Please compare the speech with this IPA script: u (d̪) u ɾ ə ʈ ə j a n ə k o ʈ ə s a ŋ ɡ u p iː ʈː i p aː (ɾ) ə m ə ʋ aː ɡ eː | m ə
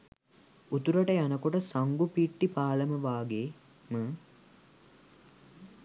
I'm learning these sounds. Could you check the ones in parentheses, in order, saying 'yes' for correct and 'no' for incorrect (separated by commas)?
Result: no, no